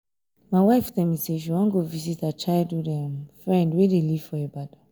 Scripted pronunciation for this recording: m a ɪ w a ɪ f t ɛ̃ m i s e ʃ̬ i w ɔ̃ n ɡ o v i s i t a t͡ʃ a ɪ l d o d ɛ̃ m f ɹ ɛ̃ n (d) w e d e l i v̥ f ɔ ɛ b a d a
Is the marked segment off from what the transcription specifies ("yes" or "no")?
no